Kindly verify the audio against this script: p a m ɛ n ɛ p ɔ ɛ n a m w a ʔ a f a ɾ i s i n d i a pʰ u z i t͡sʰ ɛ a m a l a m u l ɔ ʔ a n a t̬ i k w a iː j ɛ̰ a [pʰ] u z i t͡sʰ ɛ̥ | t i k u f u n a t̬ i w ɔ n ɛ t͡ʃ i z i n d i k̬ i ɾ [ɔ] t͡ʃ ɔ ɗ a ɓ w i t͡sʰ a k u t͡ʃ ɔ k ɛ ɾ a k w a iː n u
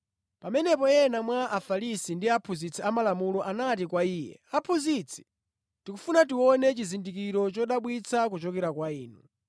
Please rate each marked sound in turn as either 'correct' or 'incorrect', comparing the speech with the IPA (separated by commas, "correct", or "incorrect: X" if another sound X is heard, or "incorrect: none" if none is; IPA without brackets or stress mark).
correct, correct